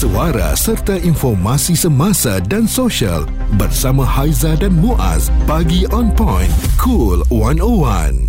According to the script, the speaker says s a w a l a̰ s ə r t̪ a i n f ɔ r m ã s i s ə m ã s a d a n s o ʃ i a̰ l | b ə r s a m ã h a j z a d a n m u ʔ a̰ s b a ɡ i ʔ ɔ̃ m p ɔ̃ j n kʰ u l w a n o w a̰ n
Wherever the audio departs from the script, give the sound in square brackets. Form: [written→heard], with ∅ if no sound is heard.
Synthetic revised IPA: s [a→ə] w a [l→ɾ] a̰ s ə r t̪ a i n f ɔ r m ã s i s ə m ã s a d a n s o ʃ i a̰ l | b ə r s a m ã h a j z a d a n m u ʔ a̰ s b a ɡ i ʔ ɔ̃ [m→n] p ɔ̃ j n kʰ u l w a n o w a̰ n